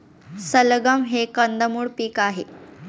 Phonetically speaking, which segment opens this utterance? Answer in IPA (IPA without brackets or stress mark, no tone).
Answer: s